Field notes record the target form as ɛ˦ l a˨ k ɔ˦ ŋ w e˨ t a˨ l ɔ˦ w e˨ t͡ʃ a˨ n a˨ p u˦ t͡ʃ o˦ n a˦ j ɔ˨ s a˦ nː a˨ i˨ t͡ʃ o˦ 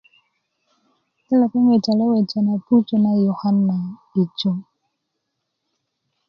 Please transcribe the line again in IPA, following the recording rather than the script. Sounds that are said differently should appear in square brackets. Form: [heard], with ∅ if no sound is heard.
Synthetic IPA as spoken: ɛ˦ l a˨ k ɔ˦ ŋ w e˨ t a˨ l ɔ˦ w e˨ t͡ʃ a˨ n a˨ p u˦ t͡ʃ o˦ n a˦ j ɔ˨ [h] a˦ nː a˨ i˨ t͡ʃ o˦